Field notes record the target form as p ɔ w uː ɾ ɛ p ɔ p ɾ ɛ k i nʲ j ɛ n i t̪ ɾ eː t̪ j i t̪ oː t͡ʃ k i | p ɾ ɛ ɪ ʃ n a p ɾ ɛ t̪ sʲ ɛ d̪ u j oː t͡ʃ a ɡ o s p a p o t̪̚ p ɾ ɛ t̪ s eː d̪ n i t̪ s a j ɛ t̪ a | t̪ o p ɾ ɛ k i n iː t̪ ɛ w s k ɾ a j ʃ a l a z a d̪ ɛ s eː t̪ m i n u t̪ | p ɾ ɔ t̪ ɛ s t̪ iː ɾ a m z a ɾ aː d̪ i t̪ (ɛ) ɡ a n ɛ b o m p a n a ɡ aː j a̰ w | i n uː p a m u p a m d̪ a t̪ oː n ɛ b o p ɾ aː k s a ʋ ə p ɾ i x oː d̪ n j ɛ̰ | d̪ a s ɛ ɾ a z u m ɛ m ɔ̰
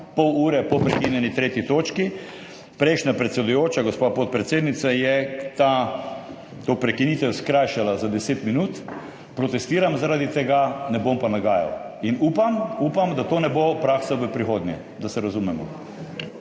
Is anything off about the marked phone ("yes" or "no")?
no